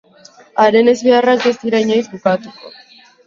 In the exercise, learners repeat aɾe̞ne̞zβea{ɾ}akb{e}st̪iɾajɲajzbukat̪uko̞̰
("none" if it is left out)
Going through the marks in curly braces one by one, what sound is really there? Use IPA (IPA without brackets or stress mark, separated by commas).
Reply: r, e